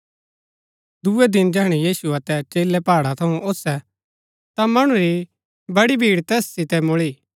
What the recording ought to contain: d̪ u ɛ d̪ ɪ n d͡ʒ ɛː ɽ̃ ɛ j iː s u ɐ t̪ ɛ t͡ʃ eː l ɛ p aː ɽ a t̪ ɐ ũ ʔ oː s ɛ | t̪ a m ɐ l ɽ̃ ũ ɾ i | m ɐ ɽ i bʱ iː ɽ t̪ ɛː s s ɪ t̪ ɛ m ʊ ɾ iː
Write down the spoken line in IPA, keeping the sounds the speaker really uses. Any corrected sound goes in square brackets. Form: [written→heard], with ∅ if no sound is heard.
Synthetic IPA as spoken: d̪ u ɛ d̪ ɪ n d͡ʒ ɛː ɽ̃ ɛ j iː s u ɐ t̪ ɛ t͡ʃ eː l ɛ p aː ɽ a [t̪→t̪ʰ] ɐ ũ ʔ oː s ɛ | t̪ a m ɐ [l→∅] ɽ̃ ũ ɾ i | [m→b] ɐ ɽ i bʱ iː ɽ t̪ ɛː s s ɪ t̪ ɛ m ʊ [ɾ→ɭ] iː

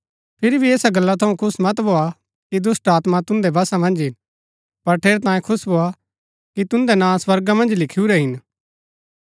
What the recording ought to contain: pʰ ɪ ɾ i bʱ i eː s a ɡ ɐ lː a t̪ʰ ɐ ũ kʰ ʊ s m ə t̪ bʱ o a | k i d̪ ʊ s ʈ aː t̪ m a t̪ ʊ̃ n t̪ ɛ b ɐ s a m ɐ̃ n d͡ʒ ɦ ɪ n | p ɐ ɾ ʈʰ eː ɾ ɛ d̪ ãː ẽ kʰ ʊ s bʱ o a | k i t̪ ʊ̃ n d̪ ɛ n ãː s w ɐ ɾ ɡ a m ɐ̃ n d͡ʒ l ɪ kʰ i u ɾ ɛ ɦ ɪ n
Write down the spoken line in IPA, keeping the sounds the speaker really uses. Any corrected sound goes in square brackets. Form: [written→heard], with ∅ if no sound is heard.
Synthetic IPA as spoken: pʰ ɪ ɾ i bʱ i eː s a ɡ ɐ lː a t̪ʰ ɐ ũ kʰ ʊ s m [ə→ɐ] t̪ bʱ o a | k i d̪ ʊ s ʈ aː t̪ m a t̪ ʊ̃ n [t̪→d̪] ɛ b ɐ s a m ɐ̃ n d͡ʒ ɦ ɪ n | p ɐ ɾ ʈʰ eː ɾ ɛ [d̪→t̪] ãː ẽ kʰ ʊ s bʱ o a | k i t̪ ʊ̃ n d̪ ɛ n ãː s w ɐ ɾ ɡ a m ɐ̃ n d͡ʒ l ɪ kʰ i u ɾ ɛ ɦ ɪ n

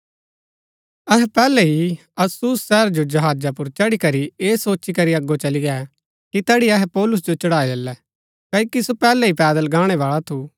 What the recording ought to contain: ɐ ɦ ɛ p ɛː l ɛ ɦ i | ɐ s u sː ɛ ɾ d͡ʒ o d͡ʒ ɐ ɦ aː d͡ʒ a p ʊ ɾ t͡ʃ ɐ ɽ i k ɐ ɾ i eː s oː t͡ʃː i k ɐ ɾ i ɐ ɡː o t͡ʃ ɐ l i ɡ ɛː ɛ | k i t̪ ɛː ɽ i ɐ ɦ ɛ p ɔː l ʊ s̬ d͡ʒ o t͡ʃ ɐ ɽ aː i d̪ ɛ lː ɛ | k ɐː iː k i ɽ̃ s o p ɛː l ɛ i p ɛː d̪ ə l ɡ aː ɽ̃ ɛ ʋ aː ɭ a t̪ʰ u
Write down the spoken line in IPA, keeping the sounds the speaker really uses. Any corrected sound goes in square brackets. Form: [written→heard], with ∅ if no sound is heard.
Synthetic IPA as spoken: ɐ ɦ ɛ p ɛː l ɛ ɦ i | ɐ s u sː [ɛ→ɛː] ɾ d͡ʒ o d͡ʒ ɐ ɦ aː d͡ʒ a p ʊ ɾ t͡ʃ ɐ ɽ i k ɐ ɾ i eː s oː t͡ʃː i k ɐ ɾ i ɐ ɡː o t͡ʃ ɐ l i ɡ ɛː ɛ | k i t̪ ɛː ɽ i ɐ ɦ ɛ p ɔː l ʊ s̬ d͡ʒ o t͡ʃ ɐ ɽ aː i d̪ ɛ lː ɛ | k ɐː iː k i [ɽ̃→∅] s o p ɛː l ɛ i p ɛː d̪ ə l ɡ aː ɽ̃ ɛ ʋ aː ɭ a t̪ʰ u

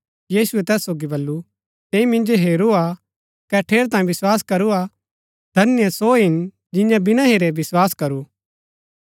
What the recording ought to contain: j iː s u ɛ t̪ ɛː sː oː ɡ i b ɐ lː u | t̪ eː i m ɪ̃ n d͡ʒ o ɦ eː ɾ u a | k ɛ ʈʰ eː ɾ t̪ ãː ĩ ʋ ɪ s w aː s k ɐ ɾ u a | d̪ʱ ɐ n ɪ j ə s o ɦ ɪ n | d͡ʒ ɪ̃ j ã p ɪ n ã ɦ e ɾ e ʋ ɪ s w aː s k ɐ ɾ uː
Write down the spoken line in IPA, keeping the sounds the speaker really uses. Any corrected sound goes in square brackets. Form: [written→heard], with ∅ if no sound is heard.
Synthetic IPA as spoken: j iː s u ɛ t̪ ɛː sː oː ɡ i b ɐ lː u | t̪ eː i m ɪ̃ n d͡ʒ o ɦ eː ɾ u a | k ɛ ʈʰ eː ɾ t̪ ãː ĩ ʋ ɪ s w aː s k ɐ ɾ u a | d̪ʱ ɐ n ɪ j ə s o ɦ ɪ n | d͡ʒ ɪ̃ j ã [p→b] ɪ n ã ɦ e ɾ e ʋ ɪ s w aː s k ɐ ɾ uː

